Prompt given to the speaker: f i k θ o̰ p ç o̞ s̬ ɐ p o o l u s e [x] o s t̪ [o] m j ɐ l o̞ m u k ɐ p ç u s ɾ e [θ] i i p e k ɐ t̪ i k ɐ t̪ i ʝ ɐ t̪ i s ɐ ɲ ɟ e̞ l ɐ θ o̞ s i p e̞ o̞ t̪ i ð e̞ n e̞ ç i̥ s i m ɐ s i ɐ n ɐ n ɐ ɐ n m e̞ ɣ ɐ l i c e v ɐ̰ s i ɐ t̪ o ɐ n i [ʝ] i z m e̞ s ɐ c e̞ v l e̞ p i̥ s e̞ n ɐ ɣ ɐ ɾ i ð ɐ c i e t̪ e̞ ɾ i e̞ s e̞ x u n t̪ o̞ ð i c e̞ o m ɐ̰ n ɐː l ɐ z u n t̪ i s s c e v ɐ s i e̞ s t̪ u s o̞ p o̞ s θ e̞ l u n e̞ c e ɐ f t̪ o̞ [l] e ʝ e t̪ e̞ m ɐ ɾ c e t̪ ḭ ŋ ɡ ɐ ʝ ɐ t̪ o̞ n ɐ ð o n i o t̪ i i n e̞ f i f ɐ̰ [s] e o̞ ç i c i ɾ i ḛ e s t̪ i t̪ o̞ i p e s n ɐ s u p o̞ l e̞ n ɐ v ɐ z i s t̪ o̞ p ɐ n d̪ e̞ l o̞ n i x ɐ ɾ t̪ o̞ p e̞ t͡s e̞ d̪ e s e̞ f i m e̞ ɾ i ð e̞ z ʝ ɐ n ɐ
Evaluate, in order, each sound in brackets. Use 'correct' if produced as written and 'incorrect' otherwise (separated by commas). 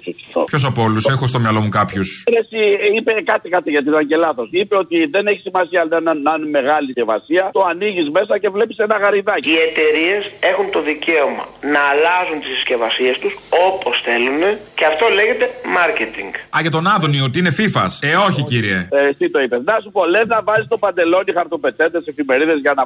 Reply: correct, correct, incorrect, correct, correct, correct